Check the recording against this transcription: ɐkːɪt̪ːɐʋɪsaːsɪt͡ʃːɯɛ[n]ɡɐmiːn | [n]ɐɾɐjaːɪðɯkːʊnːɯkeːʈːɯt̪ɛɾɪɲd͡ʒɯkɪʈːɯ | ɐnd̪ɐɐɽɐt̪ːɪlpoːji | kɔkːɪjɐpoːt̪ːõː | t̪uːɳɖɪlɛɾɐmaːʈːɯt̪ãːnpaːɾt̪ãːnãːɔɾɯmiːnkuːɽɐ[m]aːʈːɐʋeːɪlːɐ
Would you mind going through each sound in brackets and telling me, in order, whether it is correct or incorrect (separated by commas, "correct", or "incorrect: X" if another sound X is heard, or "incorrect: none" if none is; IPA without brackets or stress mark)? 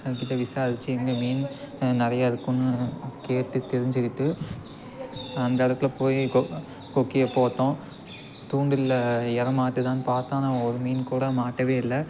incorrect: ŋ, correct, correct